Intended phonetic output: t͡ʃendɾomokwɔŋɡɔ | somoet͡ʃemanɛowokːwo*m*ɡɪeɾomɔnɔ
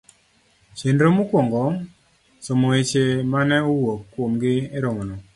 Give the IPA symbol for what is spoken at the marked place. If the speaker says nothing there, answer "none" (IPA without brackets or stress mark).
m